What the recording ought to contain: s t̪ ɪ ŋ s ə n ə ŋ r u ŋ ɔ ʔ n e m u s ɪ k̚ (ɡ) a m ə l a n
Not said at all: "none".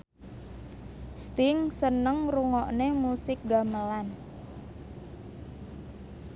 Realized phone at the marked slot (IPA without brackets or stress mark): ɡ